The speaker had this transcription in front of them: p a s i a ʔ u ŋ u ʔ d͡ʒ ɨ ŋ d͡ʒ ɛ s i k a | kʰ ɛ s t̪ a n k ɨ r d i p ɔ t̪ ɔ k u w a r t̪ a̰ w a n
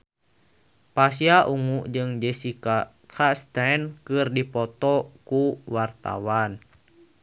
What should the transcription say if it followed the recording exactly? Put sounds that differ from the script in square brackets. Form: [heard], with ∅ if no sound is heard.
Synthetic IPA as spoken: p a s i a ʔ u ŋ u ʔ d͡ʒ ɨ ŋ d͡ʒ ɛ s i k a | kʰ [a] s t̪ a n k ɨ r d i p ɔ t̪ ɔ k u w a r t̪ a̰ w a n